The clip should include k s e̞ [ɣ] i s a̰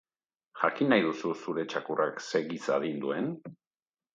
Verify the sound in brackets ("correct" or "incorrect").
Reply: correct